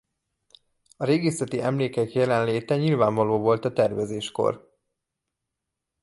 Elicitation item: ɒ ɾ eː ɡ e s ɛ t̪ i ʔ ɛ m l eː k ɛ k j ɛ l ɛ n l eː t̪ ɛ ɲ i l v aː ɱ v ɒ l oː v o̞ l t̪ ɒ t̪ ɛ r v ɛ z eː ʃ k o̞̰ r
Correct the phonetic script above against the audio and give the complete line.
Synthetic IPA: ɒ ɾ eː ɡ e s ɛ t̪ i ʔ ɛ m l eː k ɛ k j ɛ l ɛ n l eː t̪ ɛ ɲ i l v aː ɱ v ɒ l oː v o̞ l t̪ ɒ t̪ ɛ r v ɛ z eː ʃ k o̞̰ r